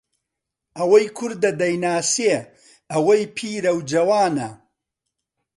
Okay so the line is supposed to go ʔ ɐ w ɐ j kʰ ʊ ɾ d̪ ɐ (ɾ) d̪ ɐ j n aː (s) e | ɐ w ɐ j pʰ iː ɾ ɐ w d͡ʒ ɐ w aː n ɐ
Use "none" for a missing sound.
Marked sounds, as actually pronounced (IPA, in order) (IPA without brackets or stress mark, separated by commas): none, s